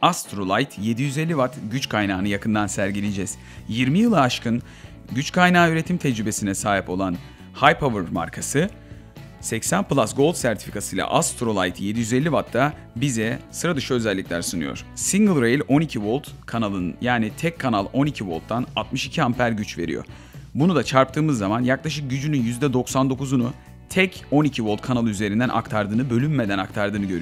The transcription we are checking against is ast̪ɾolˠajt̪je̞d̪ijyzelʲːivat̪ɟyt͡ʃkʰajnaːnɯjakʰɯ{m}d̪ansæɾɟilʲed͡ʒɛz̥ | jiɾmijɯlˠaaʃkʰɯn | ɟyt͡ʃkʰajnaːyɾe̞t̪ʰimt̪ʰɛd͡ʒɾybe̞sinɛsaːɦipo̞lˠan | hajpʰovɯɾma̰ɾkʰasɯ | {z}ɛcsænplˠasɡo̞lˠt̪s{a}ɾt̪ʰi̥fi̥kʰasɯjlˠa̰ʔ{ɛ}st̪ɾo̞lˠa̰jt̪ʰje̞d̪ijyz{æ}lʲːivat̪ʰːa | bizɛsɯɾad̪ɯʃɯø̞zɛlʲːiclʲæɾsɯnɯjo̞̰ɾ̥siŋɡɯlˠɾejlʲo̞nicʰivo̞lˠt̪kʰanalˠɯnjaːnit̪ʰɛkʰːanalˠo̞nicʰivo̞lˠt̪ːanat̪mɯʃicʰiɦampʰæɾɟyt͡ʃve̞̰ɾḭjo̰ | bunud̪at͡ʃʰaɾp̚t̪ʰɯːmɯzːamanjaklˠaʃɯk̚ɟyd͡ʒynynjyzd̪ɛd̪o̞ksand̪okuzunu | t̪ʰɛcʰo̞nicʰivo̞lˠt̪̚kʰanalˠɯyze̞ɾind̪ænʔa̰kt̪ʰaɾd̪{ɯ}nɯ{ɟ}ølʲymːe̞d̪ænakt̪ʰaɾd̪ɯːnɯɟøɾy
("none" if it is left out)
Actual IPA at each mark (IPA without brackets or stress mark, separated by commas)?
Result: n, s, æ, a, e, ɯː, b